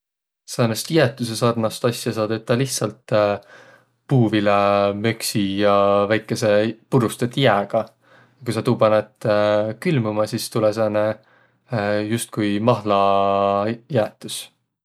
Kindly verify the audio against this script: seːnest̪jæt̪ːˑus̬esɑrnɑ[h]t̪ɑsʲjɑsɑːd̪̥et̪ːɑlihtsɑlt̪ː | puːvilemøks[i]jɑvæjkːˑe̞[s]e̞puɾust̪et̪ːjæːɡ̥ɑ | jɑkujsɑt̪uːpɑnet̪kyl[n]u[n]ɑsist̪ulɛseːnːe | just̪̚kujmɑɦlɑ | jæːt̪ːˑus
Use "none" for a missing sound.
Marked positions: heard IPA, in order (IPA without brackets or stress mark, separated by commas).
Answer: s, i, s, m, m